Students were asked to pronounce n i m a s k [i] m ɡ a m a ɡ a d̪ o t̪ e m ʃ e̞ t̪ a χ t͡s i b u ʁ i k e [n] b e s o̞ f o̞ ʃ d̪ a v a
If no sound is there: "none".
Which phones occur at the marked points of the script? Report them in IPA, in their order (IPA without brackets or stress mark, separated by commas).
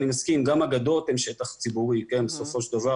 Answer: i, n